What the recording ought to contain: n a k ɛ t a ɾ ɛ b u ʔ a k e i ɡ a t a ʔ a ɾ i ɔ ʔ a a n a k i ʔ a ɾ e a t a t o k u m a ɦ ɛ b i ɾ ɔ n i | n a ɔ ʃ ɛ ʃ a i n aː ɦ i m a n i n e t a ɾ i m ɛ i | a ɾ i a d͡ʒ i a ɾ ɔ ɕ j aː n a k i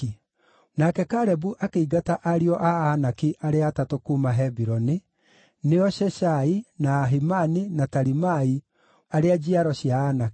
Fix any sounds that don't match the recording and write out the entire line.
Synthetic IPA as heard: n a k ɛ k a ɾ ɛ b u ʔ a k e i ɡ a t a ʔ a ɾ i ɔ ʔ a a n a k i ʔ a ɾ e a t a t o k u m a ɦ ɛ b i ɾ ɔ n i | n e ɔ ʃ ɛ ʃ a i n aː ɦ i m a n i n a t a ɾ i m a i | a ɾ e a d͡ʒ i a ɾ ɔ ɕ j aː n a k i